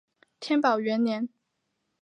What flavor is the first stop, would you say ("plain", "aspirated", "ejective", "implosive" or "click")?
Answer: aspirated